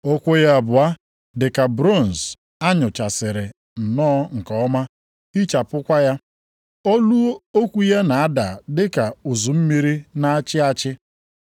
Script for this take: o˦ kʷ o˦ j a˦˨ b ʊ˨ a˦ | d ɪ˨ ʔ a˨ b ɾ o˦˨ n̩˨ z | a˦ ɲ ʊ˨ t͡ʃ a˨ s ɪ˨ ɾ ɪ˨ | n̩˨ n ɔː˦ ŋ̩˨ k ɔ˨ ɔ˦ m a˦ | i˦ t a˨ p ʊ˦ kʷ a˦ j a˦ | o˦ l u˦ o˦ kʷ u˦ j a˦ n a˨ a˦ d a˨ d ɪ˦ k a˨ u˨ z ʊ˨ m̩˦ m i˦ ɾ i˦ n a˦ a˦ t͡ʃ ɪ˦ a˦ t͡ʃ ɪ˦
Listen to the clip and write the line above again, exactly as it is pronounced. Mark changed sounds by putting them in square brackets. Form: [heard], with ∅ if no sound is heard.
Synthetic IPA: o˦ kʷ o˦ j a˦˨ b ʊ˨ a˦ | d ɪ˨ [k] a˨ b ɾ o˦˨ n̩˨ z | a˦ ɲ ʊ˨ t͡ʃ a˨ s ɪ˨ ɾ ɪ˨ | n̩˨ n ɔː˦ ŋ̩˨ k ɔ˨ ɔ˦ m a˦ | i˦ [t͡ʃ] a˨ p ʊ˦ kʷ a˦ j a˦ | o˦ l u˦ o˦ kʷ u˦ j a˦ n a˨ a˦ d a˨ d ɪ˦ k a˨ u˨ z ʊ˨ m̩˦ m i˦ ɾ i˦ n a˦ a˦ t͡ʃ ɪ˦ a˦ t͡ʃ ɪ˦